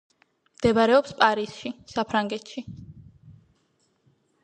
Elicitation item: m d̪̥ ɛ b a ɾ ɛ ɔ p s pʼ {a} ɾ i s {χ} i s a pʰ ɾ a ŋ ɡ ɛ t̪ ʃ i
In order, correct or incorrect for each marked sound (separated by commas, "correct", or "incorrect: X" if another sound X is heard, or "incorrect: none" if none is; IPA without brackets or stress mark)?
correct, incorrect: ʃ